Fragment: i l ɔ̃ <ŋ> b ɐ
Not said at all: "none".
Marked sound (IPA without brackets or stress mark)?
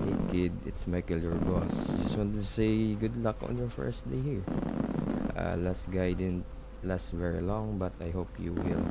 ŋ